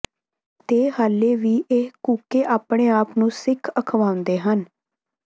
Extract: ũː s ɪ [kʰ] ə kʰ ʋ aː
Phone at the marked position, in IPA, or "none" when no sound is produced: kʰ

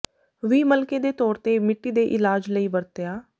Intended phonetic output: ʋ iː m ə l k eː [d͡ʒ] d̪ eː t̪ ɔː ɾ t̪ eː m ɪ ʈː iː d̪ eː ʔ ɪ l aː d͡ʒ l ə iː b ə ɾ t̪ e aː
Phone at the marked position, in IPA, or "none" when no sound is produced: none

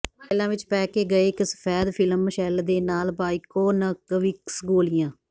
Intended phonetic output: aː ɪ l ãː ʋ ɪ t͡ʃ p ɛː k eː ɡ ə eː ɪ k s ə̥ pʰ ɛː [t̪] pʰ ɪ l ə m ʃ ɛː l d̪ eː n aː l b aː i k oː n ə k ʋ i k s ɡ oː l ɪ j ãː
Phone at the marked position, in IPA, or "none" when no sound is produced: d̪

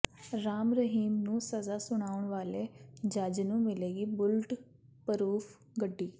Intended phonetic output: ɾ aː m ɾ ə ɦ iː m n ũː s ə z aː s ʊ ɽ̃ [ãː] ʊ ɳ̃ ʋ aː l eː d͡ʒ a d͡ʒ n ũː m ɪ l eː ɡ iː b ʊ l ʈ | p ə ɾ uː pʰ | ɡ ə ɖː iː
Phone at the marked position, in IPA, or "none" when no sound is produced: aː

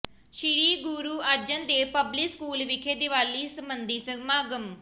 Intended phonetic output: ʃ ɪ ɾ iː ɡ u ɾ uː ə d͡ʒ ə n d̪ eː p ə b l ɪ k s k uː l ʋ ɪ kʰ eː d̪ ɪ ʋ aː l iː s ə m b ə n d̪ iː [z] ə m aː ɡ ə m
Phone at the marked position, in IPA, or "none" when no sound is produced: s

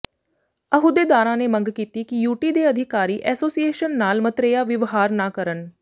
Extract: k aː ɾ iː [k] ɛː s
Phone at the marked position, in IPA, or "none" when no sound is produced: ʔ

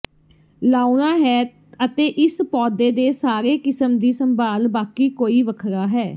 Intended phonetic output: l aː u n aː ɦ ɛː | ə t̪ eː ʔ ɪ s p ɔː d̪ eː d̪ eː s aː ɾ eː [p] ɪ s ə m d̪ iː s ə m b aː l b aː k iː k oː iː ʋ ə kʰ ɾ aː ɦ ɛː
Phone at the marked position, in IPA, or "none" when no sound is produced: k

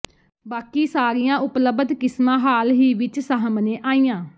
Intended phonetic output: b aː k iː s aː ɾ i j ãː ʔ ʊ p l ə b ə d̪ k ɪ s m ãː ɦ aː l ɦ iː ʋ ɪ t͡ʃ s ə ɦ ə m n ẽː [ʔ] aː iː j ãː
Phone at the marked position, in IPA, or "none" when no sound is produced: ʔ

